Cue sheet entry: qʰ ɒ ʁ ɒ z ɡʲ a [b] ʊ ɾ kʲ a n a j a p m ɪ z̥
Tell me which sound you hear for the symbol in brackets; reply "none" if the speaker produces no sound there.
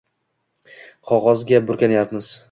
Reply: b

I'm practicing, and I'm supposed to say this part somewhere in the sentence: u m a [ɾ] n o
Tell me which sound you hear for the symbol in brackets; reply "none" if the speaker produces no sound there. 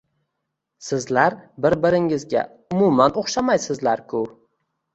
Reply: none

